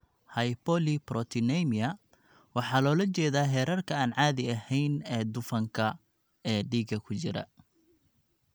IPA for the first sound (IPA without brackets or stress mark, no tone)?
h